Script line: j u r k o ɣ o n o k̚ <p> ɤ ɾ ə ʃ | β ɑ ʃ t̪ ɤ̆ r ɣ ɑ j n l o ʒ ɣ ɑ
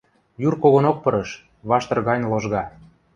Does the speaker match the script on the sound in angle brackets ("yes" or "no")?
yes